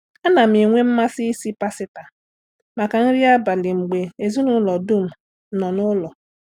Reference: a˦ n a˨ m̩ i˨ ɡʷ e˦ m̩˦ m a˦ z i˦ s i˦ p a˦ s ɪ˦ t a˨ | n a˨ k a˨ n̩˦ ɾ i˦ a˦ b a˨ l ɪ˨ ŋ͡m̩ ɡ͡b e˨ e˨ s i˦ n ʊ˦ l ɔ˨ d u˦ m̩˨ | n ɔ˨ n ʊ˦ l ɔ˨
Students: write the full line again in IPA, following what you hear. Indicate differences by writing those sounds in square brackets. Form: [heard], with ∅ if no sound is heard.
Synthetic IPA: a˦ n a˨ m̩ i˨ [ŋʷ] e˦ m̩˦ m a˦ [s] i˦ s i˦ p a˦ s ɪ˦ t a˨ | [m] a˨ k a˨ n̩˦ ɾ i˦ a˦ b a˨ l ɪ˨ ŋ͡m̩ ɡ͡b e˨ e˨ [z] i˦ n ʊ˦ l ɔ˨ d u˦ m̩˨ | n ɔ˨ n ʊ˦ l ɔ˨